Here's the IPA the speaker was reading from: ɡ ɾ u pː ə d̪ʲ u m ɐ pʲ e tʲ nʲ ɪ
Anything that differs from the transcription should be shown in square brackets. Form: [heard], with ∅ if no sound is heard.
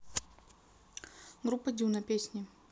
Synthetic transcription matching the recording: ɡ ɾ u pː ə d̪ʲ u [n] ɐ pʲ e [sʲ] nʲ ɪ